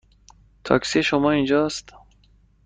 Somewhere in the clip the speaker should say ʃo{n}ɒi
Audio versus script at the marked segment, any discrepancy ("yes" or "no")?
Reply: yes